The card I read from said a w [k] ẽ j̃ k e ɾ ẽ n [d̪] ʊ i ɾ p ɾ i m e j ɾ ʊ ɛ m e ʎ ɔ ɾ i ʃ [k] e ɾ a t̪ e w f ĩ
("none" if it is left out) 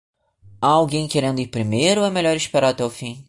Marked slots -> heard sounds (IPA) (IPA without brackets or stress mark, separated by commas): ɡ, d̪, p